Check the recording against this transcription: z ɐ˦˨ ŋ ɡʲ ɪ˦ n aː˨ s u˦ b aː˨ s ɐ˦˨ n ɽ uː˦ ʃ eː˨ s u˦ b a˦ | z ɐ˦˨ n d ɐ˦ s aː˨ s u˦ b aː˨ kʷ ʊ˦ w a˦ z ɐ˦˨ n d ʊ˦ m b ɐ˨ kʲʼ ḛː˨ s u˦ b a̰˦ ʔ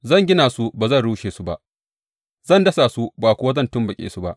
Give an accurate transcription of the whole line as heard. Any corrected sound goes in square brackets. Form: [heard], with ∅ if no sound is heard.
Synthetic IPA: z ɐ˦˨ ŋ ɡʲ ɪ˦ n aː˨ s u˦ b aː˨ [z] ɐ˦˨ n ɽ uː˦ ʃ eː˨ s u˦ b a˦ | z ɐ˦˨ n d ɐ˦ s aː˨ s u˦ b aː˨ kʷ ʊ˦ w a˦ z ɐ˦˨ n [t] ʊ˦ m b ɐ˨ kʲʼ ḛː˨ s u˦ b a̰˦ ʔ